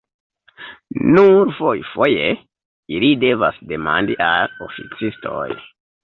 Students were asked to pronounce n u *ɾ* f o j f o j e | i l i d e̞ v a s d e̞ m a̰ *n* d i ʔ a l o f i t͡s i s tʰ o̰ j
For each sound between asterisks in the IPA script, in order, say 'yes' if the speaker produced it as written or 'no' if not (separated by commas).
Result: yes, yes